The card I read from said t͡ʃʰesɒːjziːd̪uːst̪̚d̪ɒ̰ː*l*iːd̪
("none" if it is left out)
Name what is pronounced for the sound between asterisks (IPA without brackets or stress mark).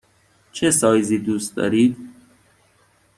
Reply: ɾ